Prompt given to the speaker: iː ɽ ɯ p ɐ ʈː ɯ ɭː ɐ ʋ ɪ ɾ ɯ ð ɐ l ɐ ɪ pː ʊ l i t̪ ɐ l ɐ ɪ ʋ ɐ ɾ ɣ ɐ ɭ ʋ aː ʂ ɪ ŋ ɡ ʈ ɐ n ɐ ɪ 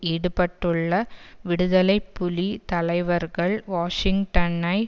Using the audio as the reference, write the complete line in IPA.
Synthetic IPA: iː ɽ ɯ p ɐ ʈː ɯ ɭː ɐ ʋ ɪ ɽ ɯ ð ɐ l ɐ ɪ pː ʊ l i t̪ ɐ l ɐ ɪ ʋ ɐ ɾ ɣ ɐ ɭ ʋ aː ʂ ɪ ŋ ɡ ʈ ɐ n ɐ ɪ